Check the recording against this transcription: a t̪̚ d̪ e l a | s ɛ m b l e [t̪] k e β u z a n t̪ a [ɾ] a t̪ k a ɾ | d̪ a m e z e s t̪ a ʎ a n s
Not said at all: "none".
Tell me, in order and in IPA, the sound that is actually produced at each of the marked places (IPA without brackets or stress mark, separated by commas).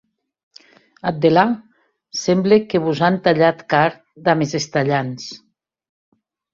none, ʎ